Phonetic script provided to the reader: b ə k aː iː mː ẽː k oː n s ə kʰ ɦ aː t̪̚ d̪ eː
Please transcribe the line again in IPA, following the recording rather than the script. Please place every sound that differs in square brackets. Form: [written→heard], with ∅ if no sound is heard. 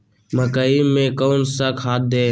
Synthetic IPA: [b→m] ə k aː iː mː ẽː k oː n s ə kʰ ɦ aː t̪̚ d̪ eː